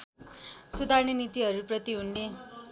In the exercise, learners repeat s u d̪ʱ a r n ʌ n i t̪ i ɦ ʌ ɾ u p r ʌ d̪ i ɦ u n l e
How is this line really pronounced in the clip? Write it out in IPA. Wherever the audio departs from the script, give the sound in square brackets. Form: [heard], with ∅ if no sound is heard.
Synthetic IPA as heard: s u d̪ʱ a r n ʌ n i t̪ i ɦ ʌ ɾ u p r ʌ [t̪] i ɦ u n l e